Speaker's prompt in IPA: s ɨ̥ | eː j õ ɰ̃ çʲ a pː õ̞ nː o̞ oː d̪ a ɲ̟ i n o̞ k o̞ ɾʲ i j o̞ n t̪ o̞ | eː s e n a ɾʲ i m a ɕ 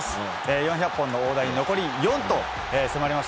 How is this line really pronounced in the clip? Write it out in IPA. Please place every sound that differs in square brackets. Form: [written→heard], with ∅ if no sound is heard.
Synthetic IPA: s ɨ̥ | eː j õ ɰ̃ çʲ a pː õ̞ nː o̞ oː d̪ a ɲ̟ i n o̞ k o̞ ɾʲ i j [o̞→õ̞] n t̪ o̞ | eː s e [n→m] a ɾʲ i m a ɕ